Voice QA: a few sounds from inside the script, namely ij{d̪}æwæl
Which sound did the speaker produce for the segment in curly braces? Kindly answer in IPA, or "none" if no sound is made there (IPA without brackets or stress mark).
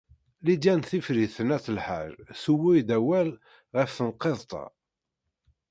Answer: d̪